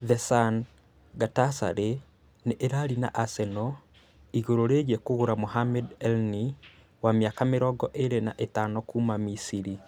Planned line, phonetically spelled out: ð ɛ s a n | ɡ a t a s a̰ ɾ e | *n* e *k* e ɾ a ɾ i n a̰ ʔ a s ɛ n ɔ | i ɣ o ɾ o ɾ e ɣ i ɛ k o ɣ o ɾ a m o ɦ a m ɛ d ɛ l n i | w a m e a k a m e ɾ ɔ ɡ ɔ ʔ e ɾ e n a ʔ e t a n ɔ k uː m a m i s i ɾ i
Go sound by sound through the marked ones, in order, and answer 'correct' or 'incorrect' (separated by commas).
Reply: correct, incorrect